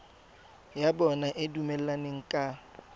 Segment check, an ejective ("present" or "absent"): present